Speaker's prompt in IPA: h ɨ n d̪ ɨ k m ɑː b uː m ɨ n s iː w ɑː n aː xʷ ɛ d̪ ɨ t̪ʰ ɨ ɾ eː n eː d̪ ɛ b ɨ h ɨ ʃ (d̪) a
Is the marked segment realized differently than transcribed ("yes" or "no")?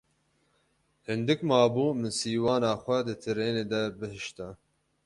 yes